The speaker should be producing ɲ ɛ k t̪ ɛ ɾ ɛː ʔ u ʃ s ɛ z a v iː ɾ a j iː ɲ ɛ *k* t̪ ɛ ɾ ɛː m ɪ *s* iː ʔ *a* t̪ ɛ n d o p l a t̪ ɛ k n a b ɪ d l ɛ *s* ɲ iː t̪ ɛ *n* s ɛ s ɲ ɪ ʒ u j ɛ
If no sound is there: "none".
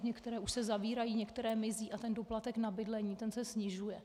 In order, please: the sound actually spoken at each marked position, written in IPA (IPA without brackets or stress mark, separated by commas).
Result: k, z, a, none, n